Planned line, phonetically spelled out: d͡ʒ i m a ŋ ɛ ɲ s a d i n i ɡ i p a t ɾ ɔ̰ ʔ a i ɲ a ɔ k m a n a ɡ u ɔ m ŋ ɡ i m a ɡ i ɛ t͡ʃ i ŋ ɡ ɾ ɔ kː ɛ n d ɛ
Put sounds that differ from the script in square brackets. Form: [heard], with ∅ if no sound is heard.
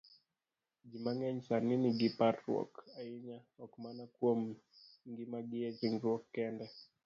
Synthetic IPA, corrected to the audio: d͡ʒ i m a ŋ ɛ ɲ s a [n] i n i ɡ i p a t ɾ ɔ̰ [k] a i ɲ a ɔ k m a n a [k] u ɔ m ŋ ɡ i m a ɡ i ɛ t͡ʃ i ŋ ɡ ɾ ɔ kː ɛ n d ɛ